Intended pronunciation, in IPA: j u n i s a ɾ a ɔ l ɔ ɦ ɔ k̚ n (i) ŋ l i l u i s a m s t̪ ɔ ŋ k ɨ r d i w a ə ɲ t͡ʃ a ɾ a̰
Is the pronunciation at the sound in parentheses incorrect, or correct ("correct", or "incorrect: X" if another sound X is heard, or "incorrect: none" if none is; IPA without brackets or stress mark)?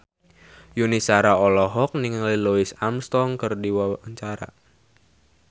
correct